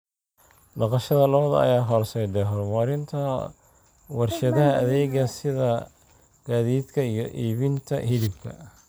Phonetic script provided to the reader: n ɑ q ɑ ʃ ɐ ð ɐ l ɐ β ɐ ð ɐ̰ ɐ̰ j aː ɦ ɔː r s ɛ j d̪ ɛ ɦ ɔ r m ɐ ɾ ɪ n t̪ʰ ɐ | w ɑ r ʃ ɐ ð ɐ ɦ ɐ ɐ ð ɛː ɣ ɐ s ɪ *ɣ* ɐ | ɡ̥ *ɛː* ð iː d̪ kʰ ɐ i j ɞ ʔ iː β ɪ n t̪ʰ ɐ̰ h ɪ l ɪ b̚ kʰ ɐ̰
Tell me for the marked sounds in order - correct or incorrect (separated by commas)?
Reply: incorrect, incorrect